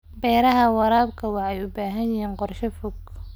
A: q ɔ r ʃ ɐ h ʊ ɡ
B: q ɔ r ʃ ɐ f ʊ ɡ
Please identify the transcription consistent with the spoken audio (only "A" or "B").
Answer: B